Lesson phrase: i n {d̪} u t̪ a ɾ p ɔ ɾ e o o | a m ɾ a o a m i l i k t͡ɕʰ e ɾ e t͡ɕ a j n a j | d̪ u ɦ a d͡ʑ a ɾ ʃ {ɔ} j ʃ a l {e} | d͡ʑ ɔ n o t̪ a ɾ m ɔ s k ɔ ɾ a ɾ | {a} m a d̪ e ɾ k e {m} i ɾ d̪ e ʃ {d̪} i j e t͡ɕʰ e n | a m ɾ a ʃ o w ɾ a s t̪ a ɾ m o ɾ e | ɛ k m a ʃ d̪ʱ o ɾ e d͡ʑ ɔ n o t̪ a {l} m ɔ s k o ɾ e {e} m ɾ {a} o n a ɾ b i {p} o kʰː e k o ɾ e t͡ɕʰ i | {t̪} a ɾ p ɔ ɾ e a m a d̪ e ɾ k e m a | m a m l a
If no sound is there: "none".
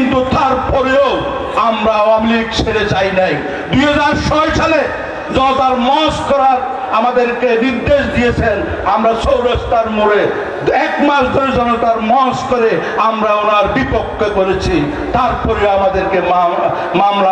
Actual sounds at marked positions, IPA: t̪, ɔ, e, a, n, d̪, ɾ, a, a, p, t̪

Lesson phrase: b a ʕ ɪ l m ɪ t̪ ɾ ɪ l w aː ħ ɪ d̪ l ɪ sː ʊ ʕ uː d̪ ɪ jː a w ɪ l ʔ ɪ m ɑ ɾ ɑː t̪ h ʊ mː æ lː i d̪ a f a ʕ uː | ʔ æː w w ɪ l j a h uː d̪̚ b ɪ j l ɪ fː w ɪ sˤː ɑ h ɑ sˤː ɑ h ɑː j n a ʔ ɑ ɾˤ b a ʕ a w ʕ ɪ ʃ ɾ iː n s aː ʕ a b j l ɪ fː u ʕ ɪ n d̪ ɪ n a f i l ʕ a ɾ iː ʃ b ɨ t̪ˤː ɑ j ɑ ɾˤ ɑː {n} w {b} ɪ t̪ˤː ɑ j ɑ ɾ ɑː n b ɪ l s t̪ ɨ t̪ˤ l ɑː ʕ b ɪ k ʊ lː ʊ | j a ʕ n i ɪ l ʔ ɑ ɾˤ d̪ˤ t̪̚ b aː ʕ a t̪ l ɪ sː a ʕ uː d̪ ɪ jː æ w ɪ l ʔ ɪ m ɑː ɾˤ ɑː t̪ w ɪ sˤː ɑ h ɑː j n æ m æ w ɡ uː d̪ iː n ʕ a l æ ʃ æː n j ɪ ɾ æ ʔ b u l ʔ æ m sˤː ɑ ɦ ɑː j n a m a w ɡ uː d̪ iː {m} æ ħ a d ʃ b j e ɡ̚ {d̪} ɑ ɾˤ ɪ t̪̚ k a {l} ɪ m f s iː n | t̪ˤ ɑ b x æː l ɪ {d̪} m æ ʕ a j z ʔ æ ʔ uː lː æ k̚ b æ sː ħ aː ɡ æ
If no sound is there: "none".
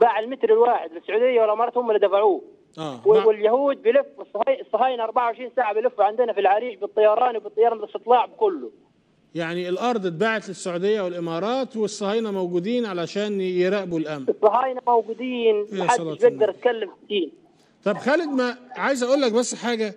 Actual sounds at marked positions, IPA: n, b, n, d̪, lː, d̪

